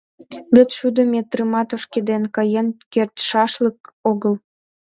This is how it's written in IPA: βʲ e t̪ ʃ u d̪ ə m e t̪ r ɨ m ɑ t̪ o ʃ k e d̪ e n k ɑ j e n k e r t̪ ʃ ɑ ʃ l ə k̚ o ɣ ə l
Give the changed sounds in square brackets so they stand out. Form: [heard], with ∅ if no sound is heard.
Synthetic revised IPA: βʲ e t̪ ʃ u d̪ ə m e t̪ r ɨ m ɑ t̪ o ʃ k e d̪ e n k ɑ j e n k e r t̪ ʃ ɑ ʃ l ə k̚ o ɣ ə l